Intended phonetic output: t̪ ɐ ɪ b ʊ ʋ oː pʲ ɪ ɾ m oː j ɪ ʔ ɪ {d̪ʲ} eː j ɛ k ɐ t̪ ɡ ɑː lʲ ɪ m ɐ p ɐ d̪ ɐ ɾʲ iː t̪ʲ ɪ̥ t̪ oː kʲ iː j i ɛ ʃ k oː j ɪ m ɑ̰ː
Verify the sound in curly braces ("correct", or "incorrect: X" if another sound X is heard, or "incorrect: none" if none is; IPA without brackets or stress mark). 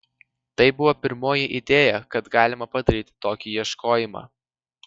correct